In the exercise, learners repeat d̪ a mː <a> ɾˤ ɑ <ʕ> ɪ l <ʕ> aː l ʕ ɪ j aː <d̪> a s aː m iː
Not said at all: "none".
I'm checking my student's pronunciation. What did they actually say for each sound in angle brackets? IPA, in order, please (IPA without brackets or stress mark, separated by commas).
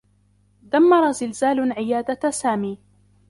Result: ɑ, z, z, d̪